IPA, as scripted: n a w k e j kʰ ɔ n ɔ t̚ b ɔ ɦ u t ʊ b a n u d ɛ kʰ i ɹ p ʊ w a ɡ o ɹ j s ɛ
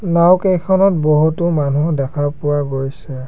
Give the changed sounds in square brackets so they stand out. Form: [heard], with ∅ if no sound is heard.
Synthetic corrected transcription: n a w k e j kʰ ɔ n ɔ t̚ b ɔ ɦ u t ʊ [m] a n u d ɛ kʰ [a] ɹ p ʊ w a ɡ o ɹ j s ɛ